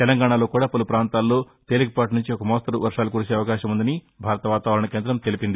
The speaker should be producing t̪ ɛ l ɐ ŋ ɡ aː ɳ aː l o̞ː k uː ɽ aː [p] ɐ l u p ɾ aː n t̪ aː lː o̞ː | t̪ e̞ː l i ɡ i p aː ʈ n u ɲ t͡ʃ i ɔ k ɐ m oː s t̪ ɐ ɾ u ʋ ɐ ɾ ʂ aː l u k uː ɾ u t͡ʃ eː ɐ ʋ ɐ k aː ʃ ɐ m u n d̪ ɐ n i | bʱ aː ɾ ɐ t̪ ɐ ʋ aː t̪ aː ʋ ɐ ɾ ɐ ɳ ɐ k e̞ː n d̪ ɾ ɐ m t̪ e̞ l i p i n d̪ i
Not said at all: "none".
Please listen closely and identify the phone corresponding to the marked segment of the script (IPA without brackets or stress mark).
p